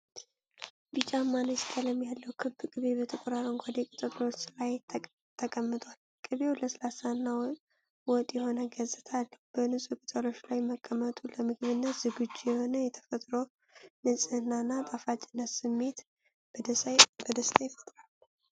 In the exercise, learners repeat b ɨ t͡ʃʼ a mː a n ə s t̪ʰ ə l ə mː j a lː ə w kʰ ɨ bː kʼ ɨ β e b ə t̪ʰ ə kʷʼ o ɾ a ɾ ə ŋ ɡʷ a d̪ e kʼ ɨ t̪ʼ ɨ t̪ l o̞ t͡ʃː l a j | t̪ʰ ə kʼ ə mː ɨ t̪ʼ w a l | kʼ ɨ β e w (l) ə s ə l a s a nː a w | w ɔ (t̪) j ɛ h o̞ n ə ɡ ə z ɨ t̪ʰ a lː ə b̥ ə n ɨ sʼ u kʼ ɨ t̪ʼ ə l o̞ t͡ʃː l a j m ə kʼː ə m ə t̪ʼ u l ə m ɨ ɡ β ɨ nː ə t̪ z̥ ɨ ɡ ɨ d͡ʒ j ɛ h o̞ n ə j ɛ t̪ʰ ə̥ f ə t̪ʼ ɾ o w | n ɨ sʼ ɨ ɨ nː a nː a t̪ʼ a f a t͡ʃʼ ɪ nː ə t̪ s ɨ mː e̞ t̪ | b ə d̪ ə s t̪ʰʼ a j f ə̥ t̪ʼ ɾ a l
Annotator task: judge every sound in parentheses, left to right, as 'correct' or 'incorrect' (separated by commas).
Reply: correct, incorrect